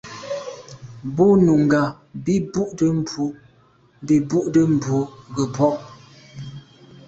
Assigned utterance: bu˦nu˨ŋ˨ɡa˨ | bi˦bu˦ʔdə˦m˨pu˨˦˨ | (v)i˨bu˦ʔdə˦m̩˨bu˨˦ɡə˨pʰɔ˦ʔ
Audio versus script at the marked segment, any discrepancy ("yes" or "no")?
yes